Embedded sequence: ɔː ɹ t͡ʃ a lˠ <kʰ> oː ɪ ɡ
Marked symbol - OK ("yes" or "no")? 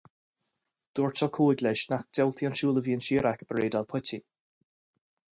yes